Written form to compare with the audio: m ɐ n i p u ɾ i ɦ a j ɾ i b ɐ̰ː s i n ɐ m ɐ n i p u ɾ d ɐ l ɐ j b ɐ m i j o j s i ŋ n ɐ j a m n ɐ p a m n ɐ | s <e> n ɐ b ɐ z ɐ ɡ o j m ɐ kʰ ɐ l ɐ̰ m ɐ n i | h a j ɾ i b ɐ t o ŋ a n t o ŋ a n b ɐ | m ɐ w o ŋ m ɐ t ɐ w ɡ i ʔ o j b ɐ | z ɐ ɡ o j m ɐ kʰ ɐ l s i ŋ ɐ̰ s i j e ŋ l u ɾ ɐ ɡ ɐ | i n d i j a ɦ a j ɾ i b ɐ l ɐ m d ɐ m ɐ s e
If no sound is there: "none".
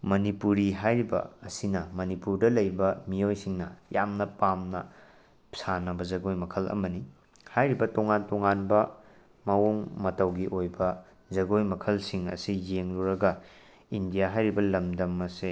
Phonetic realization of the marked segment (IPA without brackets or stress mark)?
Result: a